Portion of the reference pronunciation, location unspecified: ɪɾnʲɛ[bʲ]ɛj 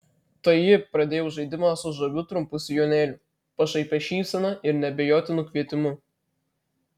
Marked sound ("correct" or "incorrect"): correct